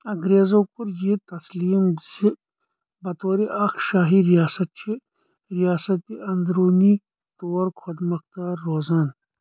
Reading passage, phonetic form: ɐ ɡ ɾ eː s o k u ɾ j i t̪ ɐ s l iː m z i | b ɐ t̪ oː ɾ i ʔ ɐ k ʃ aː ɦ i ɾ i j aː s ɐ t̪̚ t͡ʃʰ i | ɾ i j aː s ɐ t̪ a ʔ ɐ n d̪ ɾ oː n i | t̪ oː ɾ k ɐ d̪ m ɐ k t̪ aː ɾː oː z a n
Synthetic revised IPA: ɐ ɡ ɾ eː z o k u ɾ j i t̪ ɐ s l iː m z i | b ɐ t̪ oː ɾ i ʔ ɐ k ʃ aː ɦ i ɾ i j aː s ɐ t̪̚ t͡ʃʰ i | ɾ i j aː s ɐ t̪ i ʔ ɐ n d̪ ɾ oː n i | t̪ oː ɾ kʰ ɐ d̪ m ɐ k t̪ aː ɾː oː z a n